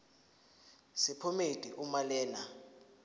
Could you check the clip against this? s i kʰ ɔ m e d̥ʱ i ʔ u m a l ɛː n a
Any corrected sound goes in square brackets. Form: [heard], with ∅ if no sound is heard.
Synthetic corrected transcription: s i [pʰ] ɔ m e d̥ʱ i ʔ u m a l ɛː n a